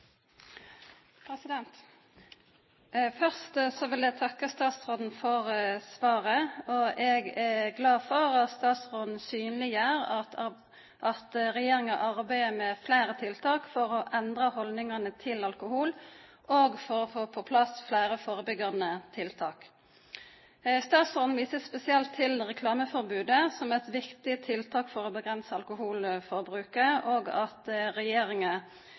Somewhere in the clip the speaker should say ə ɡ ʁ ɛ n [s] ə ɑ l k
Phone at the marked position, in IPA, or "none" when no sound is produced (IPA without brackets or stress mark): s